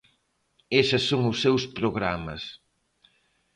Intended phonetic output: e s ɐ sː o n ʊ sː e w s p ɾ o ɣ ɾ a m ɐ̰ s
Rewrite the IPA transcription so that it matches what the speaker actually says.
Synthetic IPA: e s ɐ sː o ŋ ʊ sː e w s p ɾ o ɣ ɾ a m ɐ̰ s